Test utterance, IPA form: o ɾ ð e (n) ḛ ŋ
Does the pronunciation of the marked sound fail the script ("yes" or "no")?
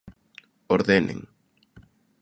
no